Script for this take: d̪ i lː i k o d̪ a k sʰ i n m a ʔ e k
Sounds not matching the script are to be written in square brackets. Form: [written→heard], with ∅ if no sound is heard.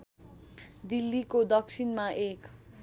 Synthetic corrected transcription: d̪ i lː i k o d̪ [a→ʌ] k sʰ i n m a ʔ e k